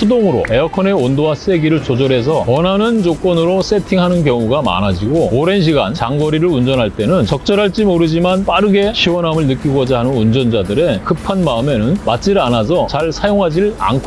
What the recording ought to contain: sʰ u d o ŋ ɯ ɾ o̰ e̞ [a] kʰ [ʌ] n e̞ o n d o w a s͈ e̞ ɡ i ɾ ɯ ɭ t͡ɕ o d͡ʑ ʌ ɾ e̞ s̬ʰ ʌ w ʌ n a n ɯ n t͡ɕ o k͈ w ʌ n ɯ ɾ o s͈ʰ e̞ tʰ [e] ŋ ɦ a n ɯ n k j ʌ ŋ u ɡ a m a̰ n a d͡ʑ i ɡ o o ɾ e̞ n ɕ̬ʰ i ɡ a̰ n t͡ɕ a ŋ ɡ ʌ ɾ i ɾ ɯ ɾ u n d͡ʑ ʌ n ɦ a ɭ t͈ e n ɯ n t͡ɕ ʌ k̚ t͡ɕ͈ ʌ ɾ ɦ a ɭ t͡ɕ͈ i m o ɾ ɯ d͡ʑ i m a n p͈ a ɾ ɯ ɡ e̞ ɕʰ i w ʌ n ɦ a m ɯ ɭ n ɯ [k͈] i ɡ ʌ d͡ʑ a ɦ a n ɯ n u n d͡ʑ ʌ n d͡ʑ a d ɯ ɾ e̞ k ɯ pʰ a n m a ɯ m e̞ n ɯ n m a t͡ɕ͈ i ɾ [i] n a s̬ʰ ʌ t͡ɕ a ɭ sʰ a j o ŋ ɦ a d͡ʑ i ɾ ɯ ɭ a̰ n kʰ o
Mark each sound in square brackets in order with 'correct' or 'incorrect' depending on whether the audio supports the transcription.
incorrect, correct, incorrect, correct, incorrect

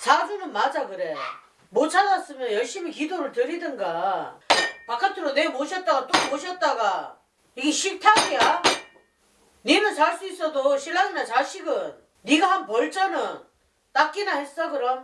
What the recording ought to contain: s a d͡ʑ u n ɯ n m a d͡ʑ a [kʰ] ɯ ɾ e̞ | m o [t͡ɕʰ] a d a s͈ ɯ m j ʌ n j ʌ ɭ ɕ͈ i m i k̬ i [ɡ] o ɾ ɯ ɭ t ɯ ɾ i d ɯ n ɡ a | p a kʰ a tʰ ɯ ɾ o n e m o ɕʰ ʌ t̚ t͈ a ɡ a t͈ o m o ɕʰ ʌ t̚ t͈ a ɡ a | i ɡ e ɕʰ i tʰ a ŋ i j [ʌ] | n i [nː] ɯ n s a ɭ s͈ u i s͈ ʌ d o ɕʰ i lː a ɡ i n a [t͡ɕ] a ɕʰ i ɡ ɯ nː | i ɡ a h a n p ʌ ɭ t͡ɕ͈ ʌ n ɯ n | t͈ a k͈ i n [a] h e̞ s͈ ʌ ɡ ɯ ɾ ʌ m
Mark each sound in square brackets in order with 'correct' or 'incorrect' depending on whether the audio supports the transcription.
incorrect, correct, incorrect, incorrect, incorrect, correct, correct

